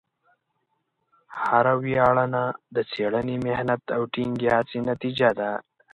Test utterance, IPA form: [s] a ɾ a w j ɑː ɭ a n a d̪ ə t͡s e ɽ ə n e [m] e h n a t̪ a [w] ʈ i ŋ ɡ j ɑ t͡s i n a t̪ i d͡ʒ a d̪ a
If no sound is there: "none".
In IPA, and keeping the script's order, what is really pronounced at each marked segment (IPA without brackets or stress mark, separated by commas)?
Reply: h, m, w